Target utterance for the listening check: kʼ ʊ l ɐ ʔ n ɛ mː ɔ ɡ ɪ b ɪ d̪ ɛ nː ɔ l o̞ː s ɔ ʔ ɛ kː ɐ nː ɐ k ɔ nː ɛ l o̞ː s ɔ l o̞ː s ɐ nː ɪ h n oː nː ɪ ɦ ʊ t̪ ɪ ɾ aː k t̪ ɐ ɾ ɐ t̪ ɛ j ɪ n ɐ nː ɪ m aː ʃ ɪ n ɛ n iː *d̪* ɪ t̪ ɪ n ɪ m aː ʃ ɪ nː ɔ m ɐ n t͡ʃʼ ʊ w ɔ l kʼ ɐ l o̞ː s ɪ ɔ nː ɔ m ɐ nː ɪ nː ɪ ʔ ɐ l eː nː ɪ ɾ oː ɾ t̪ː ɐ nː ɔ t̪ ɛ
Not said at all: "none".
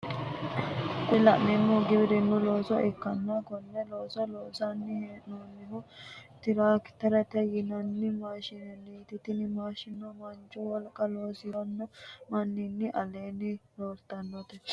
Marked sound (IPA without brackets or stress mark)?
t̪